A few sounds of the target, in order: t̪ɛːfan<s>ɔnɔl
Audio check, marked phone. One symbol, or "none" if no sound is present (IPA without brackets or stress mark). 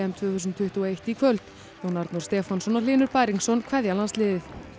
s